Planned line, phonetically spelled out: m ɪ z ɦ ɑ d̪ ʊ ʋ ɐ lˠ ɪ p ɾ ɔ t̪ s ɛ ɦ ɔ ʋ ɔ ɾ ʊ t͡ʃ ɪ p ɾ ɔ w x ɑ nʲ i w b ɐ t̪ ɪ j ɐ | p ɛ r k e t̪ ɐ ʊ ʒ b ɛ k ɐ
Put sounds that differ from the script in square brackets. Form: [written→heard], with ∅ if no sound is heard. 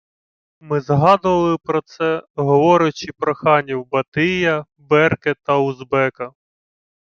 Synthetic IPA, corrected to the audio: m ɪ z ɦ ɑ d̪ ʊ ʋ ɐ lˠ ɪ p ɾ ɔ t̪ s ɛ ɦ ɔ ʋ ɔ ɾ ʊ t͡ʃ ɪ p ɾ ɔ [w→∅] x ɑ nʲ i w b ɐ t̪ ɪ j ɐ | [p→b] ɛ r k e t̪ ɐ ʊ [ʒ→z] b ɛ k ɐ